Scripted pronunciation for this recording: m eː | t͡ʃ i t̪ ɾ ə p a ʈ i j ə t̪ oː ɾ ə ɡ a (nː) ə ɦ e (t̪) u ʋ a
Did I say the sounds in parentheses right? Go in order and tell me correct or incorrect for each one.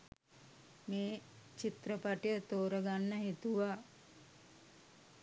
correct, correct

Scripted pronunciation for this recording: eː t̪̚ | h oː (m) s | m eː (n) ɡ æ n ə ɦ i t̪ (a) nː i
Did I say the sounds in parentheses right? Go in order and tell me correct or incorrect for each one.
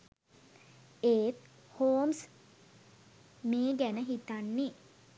correct, incorrect: none, correct

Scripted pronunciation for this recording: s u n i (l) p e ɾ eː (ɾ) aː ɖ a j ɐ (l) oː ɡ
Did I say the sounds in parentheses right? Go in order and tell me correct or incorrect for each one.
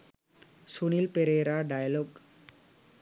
correct, correct, correct

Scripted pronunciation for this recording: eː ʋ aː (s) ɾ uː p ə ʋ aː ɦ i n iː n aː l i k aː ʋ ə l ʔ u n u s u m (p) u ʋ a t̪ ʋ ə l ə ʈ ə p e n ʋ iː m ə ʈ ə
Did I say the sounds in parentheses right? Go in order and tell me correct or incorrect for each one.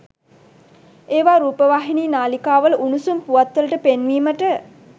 incorrect: none, correct

